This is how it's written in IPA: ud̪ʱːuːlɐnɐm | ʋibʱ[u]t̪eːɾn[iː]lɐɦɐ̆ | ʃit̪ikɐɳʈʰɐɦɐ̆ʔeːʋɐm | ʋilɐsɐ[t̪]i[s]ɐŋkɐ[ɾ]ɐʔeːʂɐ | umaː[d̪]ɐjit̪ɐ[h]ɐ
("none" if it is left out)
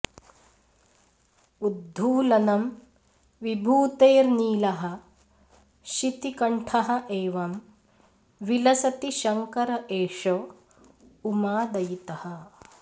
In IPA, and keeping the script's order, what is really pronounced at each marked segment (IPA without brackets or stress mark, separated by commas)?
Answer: uː, iː, t̪, ʃ, ɾ, d̪, h